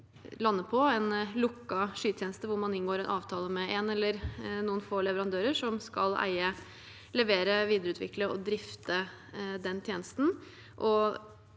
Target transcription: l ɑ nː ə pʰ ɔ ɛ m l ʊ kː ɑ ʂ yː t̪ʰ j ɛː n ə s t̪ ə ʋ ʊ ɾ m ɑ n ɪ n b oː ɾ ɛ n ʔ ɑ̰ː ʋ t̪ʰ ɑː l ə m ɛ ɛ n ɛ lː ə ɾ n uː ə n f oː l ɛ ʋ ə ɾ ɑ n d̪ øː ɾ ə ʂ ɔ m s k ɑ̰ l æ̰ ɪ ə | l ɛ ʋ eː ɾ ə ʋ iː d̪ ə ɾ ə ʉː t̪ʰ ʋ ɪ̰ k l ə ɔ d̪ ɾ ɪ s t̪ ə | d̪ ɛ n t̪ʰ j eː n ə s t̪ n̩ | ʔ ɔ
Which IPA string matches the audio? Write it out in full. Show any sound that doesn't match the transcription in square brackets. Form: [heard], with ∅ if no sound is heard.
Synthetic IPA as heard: l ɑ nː ə pʰ ɔ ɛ [n] l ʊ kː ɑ ʂ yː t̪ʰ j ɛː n ə s t̪ ə ʋ ʊ ɾ m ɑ n ɪ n [ɡ] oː ɾ ɛ n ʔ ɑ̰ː ʋ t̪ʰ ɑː l ə m ɛ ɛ n ɛ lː ə ɾ n uː ə n f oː l ɛ ʋ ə ɾ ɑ n d̪ øː ɾ ə ʂ ɔ m s k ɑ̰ l æ̰ ɪ ə | l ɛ ʋ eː ɾ ə ʋ iː d̪ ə ɾ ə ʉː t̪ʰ ʋ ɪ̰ k l ə ɔ d̪ ɾ ɪ [f] t̪ ə | d̪ ɛ n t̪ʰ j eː n ə s t̪ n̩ | ʔ ɔ